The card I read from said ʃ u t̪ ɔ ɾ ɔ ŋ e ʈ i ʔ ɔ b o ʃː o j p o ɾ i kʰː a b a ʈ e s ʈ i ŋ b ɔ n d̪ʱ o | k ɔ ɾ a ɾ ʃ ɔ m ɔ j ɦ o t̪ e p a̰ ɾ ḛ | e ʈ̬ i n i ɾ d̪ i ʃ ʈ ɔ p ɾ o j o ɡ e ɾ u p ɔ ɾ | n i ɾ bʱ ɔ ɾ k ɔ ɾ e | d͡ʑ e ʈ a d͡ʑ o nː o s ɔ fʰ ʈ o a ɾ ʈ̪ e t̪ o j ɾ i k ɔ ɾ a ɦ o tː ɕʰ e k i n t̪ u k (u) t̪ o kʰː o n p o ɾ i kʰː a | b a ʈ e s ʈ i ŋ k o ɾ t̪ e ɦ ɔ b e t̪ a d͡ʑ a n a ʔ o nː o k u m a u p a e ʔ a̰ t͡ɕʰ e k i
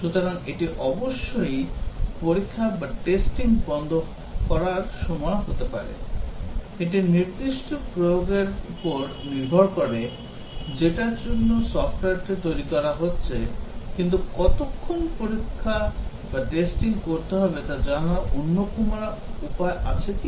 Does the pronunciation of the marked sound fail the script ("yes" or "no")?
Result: yes